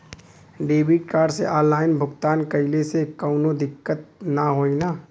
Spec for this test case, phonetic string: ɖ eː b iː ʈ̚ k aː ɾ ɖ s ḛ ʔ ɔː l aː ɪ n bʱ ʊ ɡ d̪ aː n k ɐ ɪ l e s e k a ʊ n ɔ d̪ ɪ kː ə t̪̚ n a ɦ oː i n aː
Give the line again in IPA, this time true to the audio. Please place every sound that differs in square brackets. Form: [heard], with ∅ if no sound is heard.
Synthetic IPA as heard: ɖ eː b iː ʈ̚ k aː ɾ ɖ s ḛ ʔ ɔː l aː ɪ n bʱ ʊ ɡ [t̪] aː n k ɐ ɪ l e s e k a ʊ n [o] d̪ ɪ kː ə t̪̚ n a ɦ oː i n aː